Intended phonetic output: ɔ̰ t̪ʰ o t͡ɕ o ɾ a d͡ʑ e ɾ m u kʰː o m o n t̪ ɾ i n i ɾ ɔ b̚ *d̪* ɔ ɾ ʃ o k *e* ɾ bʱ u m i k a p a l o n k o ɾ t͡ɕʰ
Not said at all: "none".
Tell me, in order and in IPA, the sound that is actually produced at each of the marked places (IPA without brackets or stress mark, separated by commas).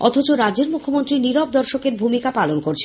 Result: d̪, e